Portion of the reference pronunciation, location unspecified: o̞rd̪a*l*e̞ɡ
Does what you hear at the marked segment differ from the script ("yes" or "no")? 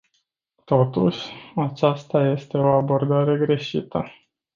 yes